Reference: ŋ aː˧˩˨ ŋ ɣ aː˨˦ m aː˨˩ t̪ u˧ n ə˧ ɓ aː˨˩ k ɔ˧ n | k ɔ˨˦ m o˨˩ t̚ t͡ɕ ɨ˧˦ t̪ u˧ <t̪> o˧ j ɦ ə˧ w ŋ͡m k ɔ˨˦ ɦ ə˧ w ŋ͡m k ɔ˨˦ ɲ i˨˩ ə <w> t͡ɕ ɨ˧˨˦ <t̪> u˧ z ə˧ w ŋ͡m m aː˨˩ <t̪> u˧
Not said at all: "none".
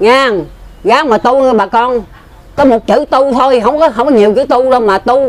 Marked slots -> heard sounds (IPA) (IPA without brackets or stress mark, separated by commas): t̪ʰ, w, t̪, t̪